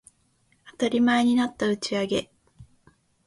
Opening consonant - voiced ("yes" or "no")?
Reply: no